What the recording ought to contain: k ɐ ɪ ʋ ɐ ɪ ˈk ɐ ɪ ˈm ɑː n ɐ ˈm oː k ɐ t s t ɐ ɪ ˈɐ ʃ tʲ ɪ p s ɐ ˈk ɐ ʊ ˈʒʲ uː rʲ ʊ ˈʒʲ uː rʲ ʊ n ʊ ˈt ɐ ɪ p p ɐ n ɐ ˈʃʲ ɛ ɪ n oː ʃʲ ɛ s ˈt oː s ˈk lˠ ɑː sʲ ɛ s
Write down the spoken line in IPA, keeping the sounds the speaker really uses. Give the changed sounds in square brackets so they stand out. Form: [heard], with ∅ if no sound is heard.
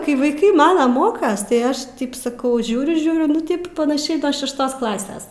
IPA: k ɐ ɪ ʋ ɐ ɪ ˈk ɐ ɪ ˈm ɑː n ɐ ˈm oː k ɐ [∅] s t ɐ ɪ ˈɐ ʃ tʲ ɪ p s ɐ ˈk ɐ ʊ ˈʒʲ uː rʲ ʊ ˈʒʲ uː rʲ ʊ n ʊ ˈt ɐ ɪ p p ɐ n ɐ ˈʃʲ ɛ ɪ n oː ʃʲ ɛ [ʃ] ˈt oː s ˈk lˠ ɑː sʲ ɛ s